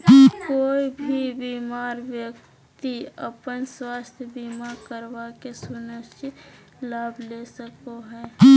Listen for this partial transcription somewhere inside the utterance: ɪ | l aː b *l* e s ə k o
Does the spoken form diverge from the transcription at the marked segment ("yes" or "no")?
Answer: no